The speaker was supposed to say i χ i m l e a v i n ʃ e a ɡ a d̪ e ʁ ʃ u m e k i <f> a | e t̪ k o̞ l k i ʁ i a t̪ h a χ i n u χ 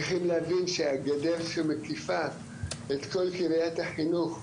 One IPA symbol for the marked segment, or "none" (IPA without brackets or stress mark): f